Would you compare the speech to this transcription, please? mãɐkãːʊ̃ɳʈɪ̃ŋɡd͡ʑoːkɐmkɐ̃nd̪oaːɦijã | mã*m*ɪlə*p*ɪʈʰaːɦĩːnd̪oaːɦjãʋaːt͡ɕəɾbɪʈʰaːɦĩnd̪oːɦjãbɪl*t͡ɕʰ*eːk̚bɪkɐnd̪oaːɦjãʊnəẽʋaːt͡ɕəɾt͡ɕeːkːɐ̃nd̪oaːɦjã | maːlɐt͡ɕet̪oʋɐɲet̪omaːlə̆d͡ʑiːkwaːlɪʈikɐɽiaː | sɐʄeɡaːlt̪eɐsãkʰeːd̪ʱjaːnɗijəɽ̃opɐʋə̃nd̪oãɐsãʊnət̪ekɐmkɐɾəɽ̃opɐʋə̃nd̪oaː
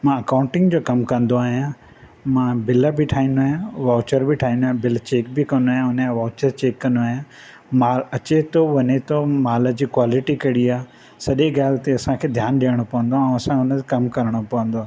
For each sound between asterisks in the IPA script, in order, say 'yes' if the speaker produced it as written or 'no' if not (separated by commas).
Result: no, no, no